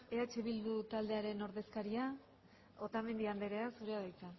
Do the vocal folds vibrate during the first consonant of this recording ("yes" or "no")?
no